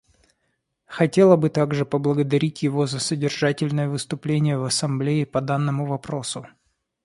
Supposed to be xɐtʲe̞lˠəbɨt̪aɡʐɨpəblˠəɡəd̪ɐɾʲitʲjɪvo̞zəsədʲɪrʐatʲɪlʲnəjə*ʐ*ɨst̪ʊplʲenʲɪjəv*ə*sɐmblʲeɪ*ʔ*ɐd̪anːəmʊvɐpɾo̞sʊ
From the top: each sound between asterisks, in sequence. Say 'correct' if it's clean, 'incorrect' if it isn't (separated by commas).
incorrect, incorrect, incorrect